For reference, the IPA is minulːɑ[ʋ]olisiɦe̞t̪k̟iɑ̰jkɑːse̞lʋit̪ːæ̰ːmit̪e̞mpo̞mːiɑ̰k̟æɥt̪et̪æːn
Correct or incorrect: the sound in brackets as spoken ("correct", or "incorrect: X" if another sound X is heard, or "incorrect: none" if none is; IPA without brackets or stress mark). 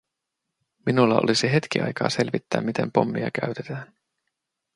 incorrect: none